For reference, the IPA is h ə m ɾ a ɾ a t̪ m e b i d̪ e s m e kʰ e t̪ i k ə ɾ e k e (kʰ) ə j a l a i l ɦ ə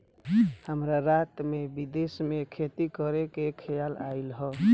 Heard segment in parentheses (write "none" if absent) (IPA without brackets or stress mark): kʰ